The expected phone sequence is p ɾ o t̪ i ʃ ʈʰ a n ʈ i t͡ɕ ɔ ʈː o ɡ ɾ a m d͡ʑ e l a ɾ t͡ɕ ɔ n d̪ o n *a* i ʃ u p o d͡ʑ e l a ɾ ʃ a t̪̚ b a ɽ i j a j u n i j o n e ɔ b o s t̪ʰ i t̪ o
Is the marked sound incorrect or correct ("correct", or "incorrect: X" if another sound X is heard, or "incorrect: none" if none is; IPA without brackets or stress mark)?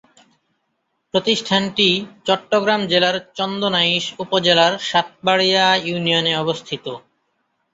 correct